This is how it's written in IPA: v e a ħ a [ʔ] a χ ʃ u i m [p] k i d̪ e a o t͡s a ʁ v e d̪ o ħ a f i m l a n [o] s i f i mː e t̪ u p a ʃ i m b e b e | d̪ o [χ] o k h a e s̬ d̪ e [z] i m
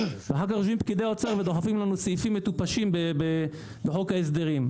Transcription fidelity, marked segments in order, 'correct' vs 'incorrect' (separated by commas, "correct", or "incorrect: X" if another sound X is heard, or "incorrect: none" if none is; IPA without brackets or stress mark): incorrect: k, correct, incorrect: u, incorrect: ħ, incorrect: ʁ